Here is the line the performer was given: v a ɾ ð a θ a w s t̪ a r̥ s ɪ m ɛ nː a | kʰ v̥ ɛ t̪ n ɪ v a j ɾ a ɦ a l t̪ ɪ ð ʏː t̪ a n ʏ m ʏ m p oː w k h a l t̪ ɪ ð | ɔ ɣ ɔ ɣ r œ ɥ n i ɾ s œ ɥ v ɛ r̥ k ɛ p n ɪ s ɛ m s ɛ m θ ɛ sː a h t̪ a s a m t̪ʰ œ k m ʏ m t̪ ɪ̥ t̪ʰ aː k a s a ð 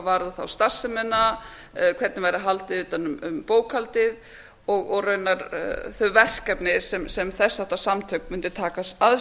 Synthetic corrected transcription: v a ɾ ð a θ a w s t̪ a r̥ s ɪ m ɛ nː a | kʰ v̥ ɛ t̪ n ɪ v a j ɾ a ɦ a l t̪ ɪ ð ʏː t̪ a n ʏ m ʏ m p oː w k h a l t̪ ɪ ð | ɔ ɣ ɔ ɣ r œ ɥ n a ɾ θ œ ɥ v ɛ r̥ k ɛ p n ɪ s ɛ m s ɛ m θ ɛ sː a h t̪ a s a m t̪ʰ œ k m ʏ n t̪ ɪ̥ t̪ʰ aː k a s a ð